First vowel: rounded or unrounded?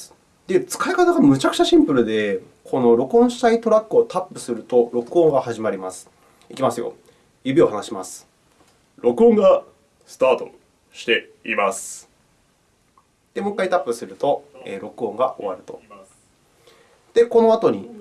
unrounded